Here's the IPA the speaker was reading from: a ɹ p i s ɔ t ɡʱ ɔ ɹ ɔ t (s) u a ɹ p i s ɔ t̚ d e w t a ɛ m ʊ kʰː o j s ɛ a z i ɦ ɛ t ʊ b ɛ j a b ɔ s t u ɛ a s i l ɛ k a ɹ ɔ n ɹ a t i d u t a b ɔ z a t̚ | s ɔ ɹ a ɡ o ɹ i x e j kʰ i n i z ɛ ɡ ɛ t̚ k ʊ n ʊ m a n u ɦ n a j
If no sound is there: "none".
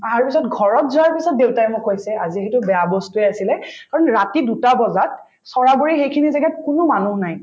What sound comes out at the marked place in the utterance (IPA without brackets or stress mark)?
z